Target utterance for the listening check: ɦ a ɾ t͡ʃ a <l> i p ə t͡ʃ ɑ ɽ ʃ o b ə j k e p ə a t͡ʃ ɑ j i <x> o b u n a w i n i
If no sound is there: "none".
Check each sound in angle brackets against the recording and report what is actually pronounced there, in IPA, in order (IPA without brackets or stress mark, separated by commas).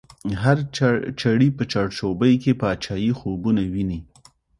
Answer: ɽ, x